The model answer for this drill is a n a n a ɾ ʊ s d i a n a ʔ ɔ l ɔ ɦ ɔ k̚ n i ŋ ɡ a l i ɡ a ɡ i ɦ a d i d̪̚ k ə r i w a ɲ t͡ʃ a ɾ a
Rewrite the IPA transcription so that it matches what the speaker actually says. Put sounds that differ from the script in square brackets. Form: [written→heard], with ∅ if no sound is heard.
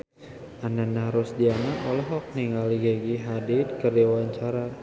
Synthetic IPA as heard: a n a n a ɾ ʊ s d i a n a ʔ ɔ l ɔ ɦ ɔ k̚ n i ŋ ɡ a l i ɡ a ɡ i ɦ a d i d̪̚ k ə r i w a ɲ t͡ʃ a ɾ a